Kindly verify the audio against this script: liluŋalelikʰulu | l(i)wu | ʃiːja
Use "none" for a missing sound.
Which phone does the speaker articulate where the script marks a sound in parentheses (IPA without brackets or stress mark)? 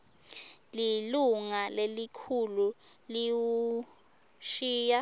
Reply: i